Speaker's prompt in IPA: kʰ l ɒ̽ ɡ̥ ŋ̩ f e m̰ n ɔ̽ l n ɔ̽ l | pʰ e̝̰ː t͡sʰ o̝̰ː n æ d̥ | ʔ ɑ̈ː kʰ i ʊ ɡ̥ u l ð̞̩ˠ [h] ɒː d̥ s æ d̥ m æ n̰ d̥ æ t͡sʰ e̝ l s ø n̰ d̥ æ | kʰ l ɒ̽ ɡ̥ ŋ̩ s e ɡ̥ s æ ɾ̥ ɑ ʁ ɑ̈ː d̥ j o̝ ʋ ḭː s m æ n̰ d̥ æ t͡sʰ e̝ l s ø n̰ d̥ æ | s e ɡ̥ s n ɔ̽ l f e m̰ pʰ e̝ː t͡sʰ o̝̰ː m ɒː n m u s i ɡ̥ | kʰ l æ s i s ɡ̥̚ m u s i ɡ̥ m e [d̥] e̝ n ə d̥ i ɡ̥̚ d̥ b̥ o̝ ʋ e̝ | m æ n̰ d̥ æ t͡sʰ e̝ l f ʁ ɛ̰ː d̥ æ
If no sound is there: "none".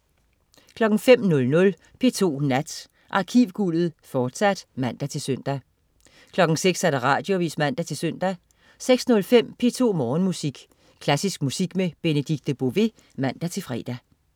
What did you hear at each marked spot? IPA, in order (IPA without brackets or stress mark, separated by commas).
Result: f, b̥